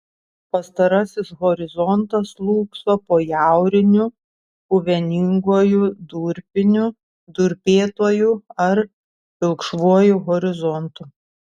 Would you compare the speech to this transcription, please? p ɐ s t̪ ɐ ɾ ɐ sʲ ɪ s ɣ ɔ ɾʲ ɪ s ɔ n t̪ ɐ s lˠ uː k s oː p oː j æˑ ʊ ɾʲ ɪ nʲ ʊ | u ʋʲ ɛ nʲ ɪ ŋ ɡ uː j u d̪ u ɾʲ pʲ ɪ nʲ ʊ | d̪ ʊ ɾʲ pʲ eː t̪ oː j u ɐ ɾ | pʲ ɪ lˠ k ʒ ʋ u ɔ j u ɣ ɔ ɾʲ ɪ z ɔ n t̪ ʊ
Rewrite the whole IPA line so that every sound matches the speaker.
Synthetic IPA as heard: p ɐ s t̪ ɐ ɾ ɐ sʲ ɪ s ɣ ɔ ɾʲ ɪ z ɔ n t̪ ɐ s lˠ uː k s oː p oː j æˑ ʊ ɾʲ ɪ nʲ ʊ | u ʋʲ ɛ nʲ ɪ ŋ ɡ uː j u d̪ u ɾʲ pʲ ɪ nʲ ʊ | d̪ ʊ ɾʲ pʲ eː t̪ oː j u ɐ ɾ | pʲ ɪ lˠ k ʃ ʋ u ɔ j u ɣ ɔ ɾʲ ɪ z ɔ n t̪ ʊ